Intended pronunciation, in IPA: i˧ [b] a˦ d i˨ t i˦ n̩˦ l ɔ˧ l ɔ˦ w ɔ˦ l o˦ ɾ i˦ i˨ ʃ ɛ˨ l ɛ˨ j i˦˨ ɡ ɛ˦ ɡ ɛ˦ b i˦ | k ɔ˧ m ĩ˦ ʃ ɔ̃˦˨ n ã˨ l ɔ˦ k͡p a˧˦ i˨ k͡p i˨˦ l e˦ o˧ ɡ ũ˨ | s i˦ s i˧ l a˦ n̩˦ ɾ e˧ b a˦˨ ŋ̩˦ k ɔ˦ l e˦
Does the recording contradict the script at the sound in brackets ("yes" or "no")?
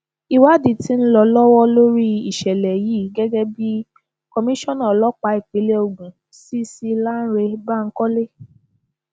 yes